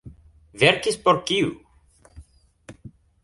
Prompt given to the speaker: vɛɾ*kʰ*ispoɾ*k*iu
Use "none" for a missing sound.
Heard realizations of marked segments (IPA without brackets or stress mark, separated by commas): k, k